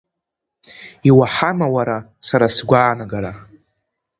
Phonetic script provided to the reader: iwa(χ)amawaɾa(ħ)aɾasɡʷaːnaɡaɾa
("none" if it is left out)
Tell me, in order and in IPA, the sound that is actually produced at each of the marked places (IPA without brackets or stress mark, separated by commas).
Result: ħ, s